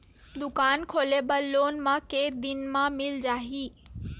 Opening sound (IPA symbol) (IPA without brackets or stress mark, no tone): d̪